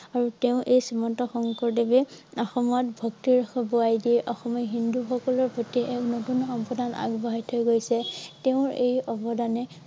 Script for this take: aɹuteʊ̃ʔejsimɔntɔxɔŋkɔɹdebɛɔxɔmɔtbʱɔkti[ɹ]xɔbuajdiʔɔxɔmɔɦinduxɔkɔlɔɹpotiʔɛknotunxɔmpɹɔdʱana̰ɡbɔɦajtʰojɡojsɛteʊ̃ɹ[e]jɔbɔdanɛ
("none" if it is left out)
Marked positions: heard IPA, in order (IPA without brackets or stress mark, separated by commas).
ɹ, e